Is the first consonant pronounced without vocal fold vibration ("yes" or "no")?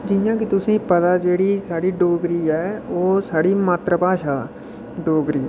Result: no